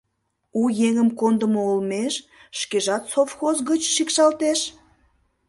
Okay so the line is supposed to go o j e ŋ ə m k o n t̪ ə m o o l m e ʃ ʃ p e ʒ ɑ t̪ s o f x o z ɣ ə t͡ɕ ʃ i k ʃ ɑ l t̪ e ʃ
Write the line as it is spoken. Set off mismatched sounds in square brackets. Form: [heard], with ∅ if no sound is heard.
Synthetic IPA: [u] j e ŋ ə m k o n [d̪] ə m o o l m e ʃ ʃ [k] e ʒ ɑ t̪ s o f x o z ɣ ə t͡ɕ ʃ i k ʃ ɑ l t̪ e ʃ